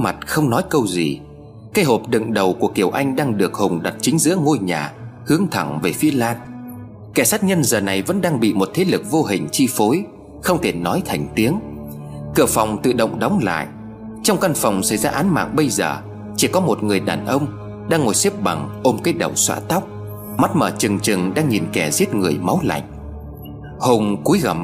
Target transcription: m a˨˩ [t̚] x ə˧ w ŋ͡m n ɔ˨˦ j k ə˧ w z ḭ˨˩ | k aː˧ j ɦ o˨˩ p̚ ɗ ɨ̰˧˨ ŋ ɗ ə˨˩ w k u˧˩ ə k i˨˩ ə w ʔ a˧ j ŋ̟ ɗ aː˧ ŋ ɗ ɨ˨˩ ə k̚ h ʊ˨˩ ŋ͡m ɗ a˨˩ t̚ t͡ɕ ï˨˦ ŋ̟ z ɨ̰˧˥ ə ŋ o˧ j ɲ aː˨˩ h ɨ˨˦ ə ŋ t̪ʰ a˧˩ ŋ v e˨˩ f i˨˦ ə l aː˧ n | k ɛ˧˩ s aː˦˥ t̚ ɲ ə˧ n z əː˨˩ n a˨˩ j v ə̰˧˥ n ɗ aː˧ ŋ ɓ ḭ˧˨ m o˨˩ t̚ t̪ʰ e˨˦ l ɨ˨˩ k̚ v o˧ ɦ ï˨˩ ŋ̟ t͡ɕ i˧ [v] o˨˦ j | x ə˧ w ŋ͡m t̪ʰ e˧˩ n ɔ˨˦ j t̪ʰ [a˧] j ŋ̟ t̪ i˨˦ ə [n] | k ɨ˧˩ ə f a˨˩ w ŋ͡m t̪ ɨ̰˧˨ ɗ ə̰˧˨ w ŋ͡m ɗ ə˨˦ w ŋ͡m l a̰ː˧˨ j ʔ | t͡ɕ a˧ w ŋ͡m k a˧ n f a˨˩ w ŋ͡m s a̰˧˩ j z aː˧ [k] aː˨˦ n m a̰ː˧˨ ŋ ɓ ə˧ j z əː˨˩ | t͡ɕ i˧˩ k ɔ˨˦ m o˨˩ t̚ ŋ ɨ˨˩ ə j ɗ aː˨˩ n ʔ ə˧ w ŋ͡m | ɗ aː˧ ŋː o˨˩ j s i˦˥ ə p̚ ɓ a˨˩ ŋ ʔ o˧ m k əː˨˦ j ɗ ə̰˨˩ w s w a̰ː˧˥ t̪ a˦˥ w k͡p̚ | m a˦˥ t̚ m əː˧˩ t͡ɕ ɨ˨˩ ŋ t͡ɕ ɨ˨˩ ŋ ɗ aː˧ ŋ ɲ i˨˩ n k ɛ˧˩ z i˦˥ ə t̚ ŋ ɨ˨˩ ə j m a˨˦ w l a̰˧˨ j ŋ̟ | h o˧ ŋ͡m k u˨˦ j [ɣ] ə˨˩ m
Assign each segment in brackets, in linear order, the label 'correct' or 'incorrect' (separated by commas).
correct, incorrect, incorrect, incorrect, incorrect, correct